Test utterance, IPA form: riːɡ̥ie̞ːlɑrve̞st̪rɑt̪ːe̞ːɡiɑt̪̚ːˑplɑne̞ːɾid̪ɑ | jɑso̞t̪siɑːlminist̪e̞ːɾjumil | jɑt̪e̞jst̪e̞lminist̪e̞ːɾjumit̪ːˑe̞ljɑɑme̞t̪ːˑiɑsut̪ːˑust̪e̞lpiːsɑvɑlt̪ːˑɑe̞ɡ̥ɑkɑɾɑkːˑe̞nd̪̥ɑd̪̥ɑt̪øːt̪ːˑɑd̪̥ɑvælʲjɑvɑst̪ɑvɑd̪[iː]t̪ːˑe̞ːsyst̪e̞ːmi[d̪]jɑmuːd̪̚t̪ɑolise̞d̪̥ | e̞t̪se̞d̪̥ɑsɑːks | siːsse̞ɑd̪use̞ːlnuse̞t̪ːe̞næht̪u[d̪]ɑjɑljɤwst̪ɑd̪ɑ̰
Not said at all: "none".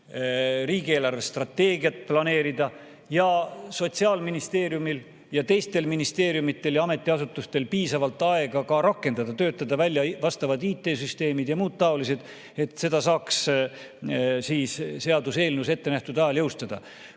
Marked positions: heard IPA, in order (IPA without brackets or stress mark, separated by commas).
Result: iː, d̪, d̪